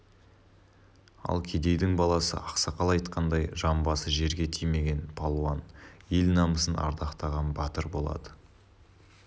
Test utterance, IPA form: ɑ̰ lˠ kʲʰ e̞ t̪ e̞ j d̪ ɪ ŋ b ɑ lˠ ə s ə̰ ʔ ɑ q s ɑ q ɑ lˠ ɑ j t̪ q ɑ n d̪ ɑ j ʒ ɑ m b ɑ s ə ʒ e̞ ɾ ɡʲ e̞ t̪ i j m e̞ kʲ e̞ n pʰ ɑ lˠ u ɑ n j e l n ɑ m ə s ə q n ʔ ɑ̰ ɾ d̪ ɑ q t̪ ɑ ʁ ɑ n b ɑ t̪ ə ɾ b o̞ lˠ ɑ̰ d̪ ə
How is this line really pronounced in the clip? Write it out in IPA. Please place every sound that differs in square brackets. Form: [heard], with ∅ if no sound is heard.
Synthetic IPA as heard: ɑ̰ lˠ kʲʰ e̞ [d̪] e̞ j d̪ ɪ ŋ b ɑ lˠ [ɑ] s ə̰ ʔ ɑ q s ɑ q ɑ lˠ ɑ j t̪ q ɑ n d̪ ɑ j ʒ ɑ m b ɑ s ə ʒ e̞ ɾ ɡʲ e̞ [t̪ʰ] i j m e̞ [ɡʲ] e̞ n pʰ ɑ lˠ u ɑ n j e l n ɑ m ə s ə [∅] n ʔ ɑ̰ ɾ d̪ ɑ q t̪ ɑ ʁ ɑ n b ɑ t̪ ə ɾ b o̞ lˠ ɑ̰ d̪ ə